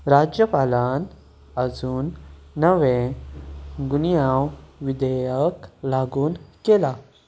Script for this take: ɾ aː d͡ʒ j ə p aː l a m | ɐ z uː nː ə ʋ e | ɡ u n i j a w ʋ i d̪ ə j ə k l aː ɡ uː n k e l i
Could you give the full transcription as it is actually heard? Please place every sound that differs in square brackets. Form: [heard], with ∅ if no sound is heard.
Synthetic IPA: ɾ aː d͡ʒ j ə p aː l a [n] | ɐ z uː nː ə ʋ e | ɡ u n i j a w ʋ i d̪ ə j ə k l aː ɡ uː n k e l [a]

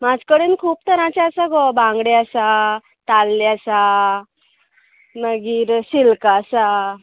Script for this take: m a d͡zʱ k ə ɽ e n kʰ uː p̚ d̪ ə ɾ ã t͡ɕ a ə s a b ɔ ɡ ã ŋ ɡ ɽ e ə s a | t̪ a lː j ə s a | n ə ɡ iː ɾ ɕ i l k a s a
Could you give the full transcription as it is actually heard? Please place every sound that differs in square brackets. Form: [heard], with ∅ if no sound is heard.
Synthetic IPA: m a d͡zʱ k ə ɽ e n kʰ uː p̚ [t̪] ə ɾ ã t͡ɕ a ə s a [ɡ] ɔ [b] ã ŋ ɡ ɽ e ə s a | t̪ a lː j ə s a | n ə ɡ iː ɾ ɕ i l k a s a

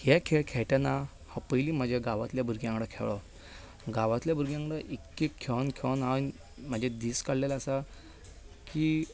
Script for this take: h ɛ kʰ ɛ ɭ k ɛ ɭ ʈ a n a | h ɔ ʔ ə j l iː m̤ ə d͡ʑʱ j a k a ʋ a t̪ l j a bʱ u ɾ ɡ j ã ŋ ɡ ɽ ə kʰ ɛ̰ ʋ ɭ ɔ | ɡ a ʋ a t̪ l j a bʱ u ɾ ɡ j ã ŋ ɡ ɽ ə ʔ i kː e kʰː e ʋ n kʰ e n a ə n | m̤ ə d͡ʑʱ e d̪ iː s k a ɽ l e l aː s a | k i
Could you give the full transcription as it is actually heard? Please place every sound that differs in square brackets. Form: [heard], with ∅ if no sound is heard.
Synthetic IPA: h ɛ kʰ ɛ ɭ [kʰ] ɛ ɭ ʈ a n a | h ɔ [p] ə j l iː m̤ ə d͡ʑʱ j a [ɡ] a ʋ a t̪ l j a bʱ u ɾ ɡ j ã ŋ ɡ ɽ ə kʰ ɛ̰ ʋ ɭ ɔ | ɡ a ʋ a t̪ l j a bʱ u ɾ ɡ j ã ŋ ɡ ɽ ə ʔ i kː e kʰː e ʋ n kʰ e n a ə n | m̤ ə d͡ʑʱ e d̪ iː s k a ɽ l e l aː s a | k i

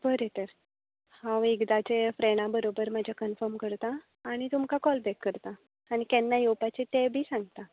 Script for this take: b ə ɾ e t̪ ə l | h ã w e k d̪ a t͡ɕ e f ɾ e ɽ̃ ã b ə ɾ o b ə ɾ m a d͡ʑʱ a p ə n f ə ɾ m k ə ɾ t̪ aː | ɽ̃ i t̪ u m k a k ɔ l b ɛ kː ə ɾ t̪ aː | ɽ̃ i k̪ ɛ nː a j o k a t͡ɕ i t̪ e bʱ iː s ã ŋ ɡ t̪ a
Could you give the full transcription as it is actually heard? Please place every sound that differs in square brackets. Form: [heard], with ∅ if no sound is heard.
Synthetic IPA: b ə ɾ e t̪ ə [ɾ] | h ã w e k d̪ a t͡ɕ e f ɾ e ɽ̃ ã b ə ɾ o b ə ɾ m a d͡ʑʱ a [k] ə n f ə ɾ m k ə ɾ t̪ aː | ɽ̃ i t̪ u m k a k ɔ l b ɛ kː ə ɾ t̪ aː | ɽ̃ i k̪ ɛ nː a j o [p] a t͡ɕ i t̪ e bʱ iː s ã ŋ ɡ t̪ a

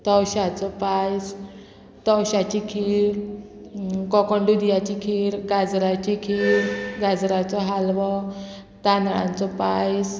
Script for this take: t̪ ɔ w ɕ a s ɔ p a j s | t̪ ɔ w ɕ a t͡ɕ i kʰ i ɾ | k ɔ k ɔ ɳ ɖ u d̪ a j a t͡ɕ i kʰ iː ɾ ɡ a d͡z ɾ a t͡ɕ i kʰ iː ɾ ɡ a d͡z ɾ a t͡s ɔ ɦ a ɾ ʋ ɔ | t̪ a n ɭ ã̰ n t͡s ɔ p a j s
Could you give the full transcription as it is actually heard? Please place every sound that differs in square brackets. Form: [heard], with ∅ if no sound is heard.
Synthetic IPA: t̪ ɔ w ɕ a [t͡s] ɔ p a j s | t̪ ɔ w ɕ a t͡ɕ i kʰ i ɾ | k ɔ k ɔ ɳ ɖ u d̪ [i] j a t͡ɕ i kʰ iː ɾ ɡ a d͡z ɾ a t͡ɕ i kʰ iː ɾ ɡ a d͡z ɾ a t͡s ɔ ɦ a [l] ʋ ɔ | t̪ a n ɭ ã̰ n t͡s ɔ p a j s

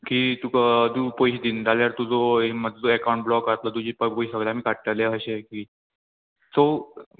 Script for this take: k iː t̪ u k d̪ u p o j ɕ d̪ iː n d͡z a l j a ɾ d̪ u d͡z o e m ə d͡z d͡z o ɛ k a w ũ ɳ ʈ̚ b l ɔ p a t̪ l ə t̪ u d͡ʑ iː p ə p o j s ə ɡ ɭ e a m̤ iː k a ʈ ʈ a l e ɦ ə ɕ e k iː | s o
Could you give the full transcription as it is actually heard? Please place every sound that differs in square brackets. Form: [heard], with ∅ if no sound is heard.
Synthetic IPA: k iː t̪ u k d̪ u p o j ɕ d̪ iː n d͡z a l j a ɾ [t̪] u d͡z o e m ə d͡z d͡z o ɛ k a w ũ ɳ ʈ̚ b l ɔ [k] a t̪ l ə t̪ u d͡ʑ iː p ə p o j s ə ɡ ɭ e a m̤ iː k a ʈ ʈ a l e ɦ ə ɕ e k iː | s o

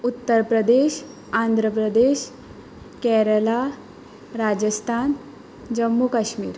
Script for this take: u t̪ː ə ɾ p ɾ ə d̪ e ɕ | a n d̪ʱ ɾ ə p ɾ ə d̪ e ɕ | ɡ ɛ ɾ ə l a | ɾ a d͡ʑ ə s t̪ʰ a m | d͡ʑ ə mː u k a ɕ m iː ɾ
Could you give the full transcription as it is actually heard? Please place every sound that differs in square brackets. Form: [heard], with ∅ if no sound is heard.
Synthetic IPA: u t̪ː ə ɾ p ɾ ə d̪ e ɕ | a n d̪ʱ ɾ ə p ɾ ə d̪ e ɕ | [k] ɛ ɾ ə l a | ɾ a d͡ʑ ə s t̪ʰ a [n] | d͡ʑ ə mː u k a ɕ m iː ɾ

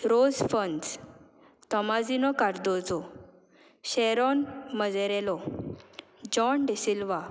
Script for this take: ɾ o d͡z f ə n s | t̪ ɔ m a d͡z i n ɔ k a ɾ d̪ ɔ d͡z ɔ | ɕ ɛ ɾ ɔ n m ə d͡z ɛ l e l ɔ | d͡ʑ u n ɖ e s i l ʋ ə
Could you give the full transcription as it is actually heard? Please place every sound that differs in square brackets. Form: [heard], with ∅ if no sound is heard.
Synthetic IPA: ɾ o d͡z f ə n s | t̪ ɔ m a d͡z i n ɔ k a ɾ d̪ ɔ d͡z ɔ | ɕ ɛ ɾ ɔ n m ə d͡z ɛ [ɾ] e l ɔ | d͡ʑ [ɔ] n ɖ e s i l ʋ [a]

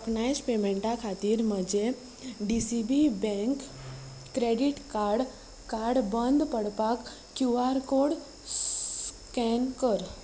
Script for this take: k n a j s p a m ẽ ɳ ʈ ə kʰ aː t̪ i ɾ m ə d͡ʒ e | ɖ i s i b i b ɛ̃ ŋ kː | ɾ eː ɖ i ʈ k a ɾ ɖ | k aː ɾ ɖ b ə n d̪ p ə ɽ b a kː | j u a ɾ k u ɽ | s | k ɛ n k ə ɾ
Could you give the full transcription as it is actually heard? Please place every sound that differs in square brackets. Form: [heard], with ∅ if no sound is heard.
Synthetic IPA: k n a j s p [e] m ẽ ɳ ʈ [a] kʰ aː t̪ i ɾ m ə d͡ʒ e | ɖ i s i b i b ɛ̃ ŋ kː | ɾ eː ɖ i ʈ k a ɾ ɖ | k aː ɾ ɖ b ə n d̪ p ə ɽ [p] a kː | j u a ɾ k [o] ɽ | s | k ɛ n k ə ɾ

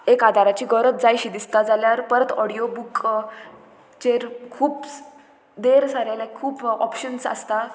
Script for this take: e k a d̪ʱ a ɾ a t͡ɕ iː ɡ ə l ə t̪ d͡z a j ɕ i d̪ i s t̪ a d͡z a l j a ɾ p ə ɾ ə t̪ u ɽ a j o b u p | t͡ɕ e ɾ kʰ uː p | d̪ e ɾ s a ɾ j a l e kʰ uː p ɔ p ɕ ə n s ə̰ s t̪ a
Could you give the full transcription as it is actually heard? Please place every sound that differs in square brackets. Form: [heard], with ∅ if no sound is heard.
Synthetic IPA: e k a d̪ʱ a ɾ a t͡ɕ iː ɡ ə [ɾ] ə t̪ d͡z a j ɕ i d̪ i s t̪ a d͡z a l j a ɾ p ə ɾ ə t̪ [ɔ] ɽ [i] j o b u [k] | t͡ɕ e ɾ kʰ uː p | d̪ e ɾ s a ɾ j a l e kʰ uː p ɔ p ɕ ə n s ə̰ s t̪ a

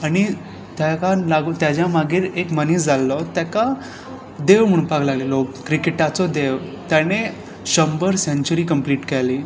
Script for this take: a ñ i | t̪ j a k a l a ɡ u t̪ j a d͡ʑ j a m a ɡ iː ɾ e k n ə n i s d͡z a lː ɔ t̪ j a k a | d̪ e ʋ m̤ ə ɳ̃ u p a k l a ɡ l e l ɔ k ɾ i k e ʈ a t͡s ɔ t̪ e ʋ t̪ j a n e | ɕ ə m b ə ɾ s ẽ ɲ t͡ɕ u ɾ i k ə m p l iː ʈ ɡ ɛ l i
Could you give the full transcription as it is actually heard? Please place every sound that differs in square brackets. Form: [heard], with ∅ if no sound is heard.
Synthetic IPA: a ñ i | t̪ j a k a l a ɡ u t̪ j a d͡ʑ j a m a ɡ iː ɾ e k [m] ə n i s d͡z a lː ɔ t̪ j a k a | d̪ e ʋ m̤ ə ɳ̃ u p a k l a ɡ l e l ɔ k ɾ i k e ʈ a t͡s ɔ [d̪] e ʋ t̪ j a n e | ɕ ə m b ə ɾ s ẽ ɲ t͡ɕ u ɾ i k ə m p l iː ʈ [k] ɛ l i

